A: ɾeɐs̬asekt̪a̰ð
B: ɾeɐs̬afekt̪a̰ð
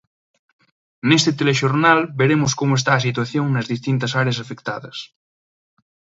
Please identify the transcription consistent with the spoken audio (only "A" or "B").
B